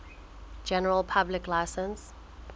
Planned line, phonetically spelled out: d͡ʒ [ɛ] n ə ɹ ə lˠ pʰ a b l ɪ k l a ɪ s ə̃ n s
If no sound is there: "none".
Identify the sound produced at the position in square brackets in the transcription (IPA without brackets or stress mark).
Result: ɛ